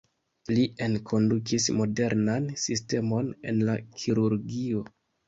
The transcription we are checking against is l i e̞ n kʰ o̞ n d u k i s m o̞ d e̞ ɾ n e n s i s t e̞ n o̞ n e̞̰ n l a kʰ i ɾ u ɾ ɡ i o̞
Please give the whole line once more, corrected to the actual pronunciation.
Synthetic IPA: l i e̞ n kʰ o̞ n d u k i s m o̞ d e̞ ɾ n a n s i s t e̞ m o̞ n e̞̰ n l a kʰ i ɾ u ɾ ɡ i o̞